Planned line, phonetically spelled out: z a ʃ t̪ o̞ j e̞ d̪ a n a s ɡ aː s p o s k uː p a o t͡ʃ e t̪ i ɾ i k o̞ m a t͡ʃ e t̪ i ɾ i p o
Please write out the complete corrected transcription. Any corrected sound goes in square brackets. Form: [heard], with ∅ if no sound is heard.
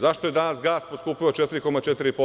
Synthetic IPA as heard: z a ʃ t̪ o̞ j e̞ d̪ a n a s ɡ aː s p o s k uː p [i] o t͡ʃ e t̪ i ɾ i k o̞ m a t͡ʃ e t̪ i ɾ i p o